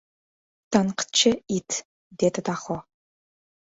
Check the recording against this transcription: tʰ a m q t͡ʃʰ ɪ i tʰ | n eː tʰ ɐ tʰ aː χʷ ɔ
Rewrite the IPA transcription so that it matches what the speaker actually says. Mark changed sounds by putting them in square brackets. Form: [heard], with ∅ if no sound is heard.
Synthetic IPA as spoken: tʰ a [n] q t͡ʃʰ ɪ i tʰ | [d] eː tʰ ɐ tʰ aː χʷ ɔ